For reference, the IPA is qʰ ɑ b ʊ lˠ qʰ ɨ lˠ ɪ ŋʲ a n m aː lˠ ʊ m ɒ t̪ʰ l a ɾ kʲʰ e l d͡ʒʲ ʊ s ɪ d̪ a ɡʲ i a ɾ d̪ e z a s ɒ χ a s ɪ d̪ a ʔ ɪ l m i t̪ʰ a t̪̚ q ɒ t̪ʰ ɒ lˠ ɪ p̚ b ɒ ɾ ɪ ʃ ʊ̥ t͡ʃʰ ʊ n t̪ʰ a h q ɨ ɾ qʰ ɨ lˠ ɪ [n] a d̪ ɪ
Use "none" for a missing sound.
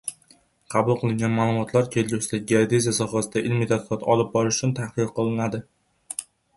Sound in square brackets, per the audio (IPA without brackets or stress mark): n